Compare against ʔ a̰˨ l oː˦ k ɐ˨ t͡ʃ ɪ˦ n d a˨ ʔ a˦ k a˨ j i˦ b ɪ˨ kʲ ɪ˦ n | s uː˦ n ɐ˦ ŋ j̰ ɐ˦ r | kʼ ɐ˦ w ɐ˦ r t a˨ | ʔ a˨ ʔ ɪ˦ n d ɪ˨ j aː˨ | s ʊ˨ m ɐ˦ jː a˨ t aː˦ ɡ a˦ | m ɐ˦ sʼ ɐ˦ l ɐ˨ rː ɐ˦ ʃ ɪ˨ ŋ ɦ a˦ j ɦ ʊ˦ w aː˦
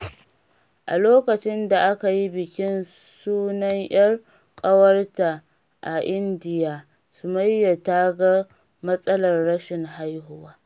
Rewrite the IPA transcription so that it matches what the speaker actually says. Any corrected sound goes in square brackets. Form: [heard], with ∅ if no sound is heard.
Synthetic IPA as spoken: ʔ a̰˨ l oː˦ k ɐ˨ t͡ʃ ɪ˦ n d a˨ ʔ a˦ k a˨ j i˦ b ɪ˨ kʲ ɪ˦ n | s uː˦ n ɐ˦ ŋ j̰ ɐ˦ r | kʼ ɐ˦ w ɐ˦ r t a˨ | ʔ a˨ ʔ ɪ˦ n d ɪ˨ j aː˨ | s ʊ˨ m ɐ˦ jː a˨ t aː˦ ɡ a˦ | m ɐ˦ sʼ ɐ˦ l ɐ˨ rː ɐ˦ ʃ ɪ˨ ŋ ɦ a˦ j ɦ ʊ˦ w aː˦